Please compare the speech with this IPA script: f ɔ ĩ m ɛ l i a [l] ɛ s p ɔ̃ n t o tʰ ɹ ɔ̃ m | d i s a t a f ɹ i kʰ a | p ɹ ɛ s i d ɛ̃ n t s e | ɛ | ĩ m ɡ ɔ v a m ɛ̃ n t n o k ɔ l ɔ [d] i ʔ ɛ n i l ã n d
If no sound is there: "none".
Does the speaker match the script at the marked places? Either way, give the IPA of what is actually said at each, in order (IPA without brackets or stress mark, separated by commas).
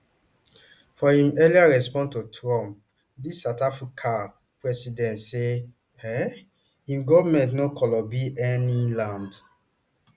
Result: ɹ, b